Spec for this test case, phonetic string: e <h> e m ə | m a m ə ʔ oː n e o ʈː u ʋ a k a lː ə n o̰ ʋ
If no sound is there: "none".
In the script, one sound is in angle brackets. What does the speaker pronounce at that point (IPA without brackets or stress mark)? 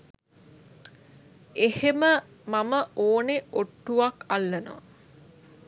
h